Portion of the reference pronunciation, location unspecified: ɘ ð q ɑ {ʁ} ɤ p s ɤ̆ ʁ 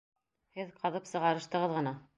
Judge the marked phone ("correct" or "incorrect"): incorrect